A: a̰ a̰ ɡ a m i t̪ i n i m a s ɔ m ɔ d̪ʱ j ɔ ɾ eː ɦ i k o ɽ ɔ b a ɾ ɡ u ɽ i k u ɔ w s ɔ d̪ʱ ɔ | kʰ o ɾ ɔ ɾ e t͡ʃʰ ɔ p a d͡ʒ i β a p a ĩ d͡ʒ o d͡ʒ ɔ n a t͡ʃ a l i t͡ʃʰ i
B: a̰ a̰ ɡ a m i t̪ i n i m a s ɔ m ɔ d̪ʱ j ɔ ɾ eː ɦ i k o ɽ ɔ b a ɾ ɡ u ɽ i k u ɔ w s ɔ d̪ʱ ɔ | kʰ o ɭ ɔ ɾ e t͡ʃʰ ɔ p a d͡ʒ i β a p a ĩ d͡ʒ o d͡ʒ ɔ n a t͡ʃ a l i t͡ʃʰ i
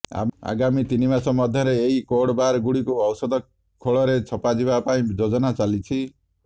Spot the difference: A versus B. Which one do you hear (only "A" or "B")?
B